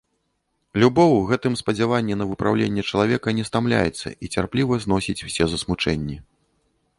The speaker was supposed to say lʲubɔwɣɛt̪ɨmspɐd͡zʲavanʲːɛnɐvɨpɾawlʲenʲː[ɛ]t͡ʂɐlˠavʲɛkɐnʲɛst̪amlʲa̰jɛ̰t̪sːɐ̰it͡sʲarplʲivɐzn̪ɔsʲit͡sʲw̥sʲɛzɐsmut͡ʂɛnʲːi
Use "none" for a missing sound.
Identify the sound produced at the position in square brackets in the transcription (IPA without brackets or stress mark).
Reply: ɛ